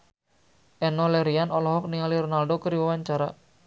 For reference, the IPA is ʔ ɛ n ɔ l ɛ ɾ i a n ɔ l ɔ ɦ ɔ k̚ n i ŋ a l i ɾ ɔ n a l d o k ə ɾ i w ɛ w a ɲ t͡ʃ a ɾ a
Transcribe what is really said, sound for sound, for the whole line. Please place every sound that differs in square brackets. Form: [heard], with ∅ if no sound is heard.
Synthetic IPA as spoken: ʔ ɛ n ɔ l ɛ ɾ i a n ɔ l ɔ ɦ ɔ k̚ n i ŋ a l i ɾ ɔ n a l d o k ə ɾ i w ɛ w a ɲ t͡ʃ a ɾ a